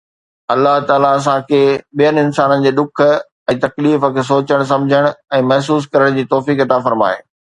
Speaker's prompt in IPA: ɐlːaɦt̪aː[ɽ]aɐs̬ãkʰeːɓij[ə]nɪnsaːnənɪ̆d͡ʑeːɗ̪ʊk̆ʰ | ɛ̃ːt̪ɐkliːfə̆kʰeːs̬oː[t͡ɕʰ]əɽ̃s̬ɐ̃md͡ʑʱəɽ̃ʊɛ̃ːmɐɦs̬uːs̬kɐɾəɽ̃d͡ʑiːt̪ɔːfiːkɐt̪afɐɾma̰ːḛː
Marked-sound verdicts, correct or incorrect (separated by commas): incorrect, correct, incorrect